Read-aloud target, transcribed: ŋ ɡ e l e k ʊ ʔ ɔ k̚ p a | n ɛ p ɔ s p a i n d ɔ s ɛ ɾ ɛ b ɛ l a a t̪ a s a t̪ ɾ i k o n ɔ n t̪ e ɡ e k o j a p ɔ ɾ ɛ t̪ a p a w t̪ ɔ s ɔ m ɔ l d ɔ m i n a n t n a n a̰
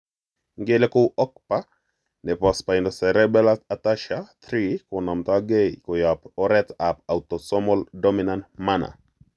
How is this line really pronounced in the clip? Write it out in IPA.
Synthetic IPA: ŋ ɡ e l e k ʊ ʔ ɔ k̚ p a | n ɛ p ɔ s p a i n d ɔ s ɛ ɾ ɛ b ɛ l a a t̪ a ʃ a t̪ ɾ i k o n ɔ m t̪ a ɡ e k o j a p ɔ ɾ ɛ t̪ a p a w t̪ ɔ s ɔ m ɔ l d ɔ m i n a n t m a n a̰